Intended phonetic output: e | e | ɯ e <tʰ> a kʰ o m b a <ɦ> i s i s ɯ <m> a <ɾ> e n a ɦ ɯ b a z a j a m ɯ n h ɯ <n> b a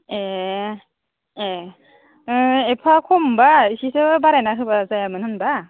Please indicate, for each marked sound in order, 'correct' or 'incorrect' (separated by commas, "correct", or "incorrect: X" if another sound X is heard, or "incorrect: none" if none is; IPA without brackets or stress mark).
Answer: incorrect: pʰ, incorrect: none, incorrect: b, correct, correct